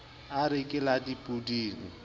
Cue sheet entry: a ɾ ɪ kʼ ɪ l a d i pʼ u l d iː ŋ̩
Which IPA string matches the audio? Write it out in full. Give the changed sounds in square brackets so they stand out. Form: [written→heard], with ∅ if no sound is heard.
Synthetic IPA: a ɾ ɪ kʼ ɪ l a d i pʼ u [l→∅] d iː ŋ̩